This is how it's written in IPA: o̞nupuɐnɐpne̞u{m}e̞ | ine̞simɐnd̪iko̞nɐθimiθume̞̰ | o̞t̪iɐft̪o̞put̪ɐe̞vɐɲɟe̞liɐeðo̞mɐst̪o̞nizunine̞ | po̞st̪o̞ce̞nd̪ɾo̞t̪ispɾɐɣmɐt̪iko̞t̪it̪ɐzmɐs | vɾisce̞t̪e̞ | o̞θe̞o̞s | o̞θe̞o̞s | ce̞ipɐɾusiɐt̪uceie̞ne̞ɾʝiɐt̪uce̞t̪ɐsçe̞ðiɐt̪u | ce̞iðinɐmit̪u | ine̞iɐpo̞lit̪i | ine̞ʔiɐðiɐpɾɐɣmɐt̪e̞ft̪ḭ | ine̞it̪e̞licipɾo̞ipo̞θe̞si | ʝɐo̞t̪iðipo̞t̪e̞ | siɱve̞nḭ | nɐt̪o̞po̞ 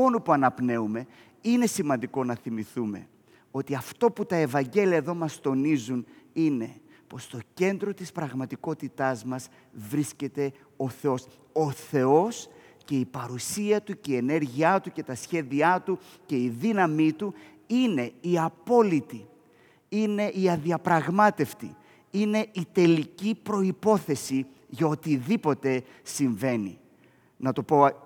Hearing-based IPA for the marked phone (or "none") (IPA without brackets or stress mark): m